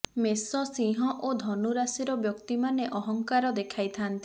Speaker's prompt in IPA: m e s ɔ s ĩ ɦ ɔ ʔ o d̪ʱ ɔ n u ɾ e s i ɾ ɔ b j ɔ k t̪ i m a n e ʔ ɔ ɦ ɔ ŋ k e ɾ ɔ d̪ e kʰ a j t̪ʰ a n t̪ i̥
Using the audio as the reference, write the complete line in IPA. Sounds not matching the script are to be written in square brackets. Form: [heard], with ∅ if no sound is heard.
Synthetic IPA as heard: m e s ɔ s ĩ ɦ ɔ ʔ o d̪ʱ ɔ n u ɾ [a] s i ɾ ɔ b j ɔ k t̪ i m a n e ʔ ɔ ɦ ɔ ŋ k [a] ɾ ɔ d̪ e kʰ a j t̪ʰ a n t̪ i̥